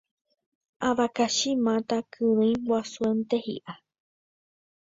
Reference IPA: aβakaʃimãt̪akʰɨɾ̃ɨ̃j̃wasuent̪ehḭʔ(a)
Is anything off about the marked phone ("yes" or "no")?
no